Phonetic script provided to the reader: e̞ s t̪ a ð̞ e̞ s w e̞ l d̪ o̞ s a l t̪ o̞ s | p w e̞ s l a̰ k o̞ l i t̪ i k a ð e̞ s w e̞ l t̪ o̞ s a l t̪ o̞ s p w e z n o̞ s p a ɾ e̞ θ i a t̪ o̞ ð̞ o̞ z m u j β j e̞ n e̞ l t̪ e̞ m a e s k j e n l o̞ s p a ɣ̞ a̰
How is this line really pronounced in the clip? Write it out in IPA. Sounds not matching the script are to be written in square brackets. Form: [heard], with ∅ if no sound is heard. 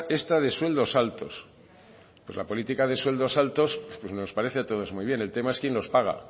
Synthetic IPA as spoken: e̞ s t̪ a ð̞ e̞ s w e̞ l d̪ o̞ s a l t̪ o̞ s | p w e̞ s l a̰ [p] o̞ l i t̪ i k a ð e̞ s w e̞ l [d̪] o̞ s a l t̪ o̞ s p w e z n o̞ s p a ɾ e̞ θ [e] a t̪ o̞ ð̞ o̞ z m u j β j e̞ n e̞ l t̪ e̞ m a e s k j e n l o̞ s p a ɣ̞ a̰